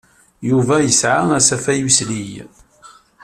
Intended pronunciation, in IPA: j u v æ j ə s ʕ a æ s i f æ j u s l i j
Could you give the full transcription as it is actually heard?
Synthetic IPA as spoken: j u v æ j ə s ʕ a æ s æ f æ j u s l i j

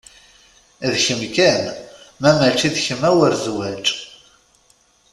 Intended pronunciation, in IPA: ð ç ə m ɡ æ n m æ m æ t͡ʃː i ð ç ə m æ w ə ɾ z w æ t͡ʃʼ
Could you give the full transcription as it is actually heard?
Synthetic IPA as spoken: ð ç ə m k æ n m æ m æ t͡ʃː i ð ç ə m æ w ə ɾ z w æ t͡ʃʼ

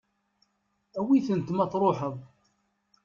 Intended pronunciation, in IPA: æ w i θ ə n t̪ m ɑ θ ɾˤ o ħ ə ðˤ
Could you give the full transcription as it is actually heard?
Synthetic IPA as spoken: æ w i θ ə n t̪ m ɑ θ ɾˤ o ħ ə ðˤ

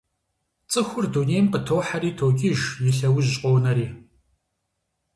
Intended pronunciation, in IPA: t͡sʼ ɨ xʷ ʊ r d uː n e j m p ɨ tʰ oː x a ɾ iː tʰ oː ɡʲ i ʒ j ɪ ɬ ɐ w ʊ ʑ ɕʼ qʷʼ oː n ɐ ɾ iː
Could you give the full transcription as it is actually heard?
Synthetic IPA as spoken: t͡sʼ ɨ xʷ ʊ r d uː n e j m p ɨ tʰ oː ħ a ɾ iː tʰ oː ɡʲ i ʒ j ɪ ɬ ɐ w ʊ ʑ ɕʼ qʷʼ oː n ɐ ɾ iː

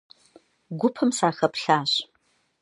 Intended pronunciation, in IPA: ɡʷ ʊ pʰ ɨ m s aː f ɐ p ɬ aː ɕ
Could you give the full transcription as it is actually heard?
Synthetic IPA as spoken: ɡʷ ʊ pʰ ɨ m s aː x ɐ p ɬ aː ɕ

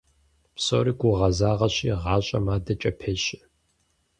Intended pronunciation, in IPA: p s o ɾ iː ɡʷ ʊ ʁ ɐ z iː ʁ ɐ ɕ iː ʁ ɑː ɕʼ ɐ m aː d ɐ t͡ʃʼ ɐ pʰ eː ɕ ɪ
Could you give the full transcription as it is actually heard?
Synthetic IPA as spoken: p s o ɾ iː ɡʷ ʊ ʁ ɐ z aː ʁ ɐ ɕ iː ʁ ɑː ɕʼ ɐ m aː d ɐ t͡ʃʼ ɐ pʰ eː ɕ ɪ

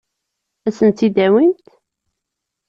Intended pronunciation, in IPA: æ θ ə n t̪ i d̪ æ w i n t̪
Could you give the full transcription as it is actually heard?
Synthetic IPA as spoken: æ s ə n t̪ i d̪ æ w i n t̪

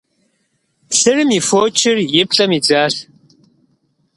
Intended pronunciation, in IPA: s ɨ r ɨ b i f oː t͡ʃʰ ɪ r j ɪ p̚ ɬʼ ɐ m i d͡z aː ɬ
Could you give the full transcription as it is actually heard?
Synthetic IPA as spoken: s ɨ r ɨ m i f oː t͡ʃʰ ɪ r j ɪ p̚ ɬʼ ɐ m i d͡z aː ɬ

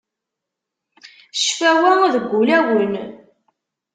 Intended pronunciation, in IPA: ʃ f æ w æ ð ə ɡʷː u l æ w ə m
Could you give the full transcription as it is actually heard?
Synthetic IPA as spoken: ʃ f æ w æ ð ə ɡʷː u l æ w ə n

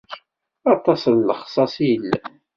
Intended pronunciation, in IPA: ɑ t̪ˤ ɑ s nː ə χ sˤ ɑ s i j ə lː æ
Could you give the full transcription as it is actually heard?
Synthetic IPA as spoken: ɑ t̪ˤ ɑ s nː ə χ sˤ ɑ s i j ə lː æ

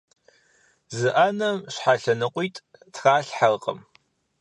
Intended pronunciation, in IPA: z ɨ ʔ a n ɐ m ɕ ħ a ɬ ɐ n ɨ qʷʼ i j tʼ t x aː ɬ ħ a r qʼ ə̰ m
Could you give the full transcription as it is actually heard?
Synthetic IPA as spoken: z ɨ ʔ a n ɐ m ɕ ħ a ɬ ɐ n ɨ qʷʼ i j tʼ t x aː ɬ ħ a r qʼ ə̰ m

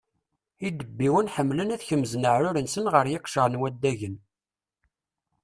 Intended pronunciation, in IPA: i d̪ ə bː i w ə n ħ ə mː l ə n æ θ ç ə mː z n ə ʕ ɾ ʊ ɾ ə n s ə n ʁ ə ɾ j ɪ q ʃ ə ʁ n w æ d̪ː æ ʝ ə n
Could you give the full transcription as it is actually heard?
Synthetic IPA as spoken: i d̪ ə bː i w ə n ħ ə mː l ə n æ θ ç ə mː z n ə ʕ ɾ ʊ ɾ ə n s ə n ʁ ə ɾ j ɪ q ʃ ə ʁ n w æ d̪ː æ ʝ ə n

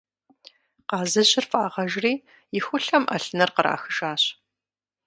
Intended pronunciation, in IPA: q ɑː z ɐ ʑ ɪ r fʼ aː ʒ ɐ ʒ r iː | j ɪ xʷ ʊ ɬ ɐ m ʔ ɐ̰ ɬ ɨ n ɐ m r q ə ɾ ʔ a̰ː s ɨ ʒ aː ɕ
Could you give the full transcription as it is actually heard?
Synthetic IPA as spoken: q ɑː z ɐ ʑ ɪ r fʼ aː ʁ ɐ ʒ r iː | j ɪ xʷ ʊ ɬ ɐ m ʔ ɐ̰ ɬ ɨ n ɐ r q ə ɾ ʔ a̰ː x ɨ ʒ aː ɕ

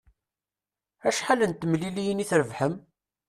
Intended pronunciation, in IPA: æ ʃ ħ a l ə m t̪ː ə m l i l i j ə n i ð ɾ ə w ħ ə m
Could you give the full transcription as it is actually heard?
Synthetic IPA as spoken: æ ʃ ħ a l ə n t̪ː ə m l i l i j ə n i θ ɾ ə v ħ ə m

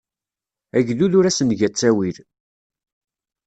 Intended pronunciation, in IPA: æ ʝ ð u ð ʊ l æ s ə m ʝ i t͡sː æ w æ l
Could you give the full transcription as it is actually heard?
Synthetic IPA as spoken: æ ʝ ð u ð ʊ ɾ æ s ə n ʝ æ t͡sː æ w i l

